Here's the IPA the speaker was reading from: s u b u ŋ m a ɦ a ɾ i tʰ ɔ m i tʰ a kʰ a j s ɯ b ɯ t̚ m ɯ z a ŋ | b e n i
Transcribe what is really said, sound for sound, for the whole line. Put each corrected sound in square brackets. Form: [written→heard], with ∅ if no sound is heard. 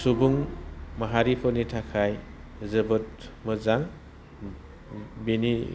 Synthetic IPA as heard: s u b u ŋ m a ɦ a ɾ i [tʰ→pʰ] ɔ [m→n] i tʰ a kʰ a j [s→z] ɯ b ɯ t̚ m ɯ z a ŋ | b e n i